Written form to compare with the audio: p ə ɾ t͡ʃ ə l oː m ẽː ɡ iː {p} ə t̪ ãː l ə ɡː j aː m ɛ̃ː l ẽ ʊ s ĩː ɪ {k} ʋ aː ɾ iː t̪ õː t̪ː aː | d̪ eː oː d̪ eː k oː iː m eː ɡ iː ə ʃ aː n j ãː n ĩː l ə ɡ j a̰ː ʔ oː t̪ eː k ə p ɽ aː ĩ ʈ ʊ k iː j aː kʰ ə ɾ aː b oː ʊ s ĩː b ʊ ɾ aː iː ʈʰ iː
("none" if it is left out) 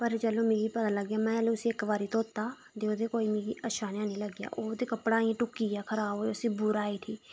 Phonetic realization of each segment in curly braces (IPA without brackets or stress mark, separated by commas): p, k